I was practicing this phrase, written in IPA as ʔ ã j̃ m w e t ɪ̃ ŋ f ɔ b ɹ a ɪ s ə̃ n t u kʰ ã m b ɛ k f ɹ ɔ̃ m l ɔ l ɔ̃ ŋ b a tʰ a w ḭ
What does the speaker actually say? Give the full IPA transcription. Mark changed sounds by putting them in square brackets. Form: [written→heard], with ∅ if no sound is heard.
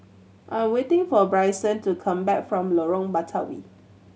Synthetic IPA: ʔ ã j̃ m w e t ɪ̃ ŋ f ɔ b ɹ a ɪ s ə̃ n t u kʰ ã m b ɛ k f ɹ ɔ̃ m l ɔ [l→ɹ] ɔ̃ ŋ b a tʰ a w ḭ